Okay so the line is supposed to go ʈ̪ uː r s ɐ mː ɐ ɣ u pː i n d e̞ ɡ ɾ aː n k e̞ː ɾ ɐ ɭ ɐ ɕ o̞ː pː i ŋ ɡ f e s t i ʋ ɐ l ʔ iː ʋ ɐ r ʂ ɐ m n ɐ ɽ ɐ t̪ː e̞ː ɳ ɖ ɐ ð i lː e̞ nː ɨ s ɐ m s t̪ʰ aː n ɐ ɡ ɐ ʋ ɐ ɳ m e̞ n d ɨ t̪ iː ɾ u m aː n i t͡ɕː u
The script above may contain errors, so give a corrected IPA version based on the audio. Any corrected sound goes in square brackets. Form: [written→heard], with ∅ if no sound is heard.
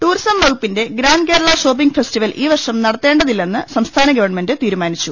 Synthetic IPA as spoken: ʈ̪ uː r s ɐ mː ɐ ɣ u pː i n d e̞ ɡ ɾ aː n k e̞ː ɾ ɐ ɭ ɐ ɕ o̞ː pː i ŋ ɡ f e s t i ʋ ɐ l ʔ iː ʋ ɐ r ʂ ɐ m n ɐ ɽ ɐ t̪ː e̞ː ɳ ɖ ɐ ð i lː e̞ nː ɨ s ɐ m s t̪ʰ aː n ɐ ɡ ɐ ʋ ɐ ɳ m e̞ n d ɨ t̪ iː ɾ u m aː n i t͡ɕː u